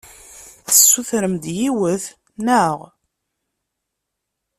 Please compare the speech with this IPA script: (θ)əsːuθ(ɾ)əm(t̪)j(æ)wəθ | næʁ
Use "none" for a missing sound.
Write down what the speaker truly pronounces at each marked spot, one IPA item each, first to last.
θ, ɾ, d̪, i

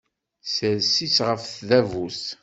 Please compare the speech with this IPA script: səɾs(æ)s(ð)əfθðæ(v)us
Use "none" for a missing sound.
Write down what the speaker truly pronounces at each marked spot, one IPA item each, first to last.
i, ʁ, v

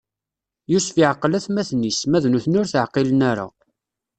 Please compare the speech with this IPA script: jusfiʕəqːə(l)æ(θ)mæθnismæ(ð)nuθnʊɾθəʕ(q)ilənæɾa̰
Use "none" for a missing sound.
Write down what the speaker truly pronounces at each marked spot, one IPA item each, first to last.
l, θ, ð, q

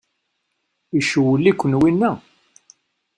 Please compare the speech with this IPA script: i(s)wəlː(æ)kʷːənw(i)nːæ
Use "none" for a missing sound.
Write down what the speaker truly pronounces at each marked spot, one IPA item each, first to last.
ʃ, i, i

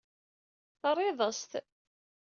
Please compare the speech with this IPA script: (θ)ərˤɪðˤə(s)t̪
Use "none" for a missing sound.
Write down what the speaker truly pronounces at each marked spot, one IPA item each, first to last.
θ, s

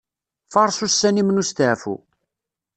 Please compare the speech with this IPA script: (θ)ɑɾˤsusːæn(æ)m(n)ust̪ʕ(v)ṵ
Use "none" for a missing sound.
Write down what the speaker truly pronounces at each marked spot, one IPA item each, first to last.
f, i, n, f

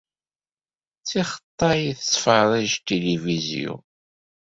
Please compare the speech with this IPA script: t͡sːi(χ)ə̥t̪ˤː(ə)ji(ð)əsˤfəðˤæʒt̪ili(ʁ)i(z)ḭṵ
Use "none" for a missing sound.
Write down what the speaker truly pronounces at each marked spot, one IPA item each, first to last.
χ, ɑ, θ, v, z

